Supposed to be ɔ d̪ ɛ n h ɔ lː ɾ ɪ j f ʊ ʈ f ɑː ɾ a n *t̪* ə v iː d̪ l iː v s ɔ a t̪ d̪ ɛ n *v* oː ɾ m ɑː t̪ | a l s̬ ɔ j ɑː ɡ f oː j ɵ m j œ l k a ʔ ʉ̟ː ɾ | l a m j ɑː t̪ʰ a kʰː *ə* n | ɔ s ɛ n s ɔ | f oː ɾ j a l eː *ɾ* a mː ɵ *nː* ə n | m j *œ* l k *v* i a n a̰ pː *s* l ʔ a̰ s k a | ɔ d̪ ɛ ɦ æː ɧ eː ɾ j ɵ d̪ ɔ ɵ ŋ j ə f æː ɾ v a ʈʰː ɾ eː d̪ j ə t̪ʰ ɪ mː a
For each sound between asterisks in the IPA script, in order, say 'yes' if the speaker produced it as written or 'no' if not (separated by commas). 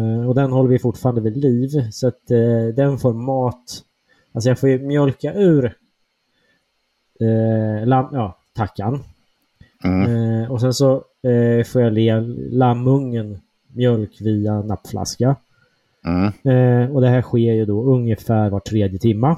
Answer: no, no, no, no, no, yes, yes, no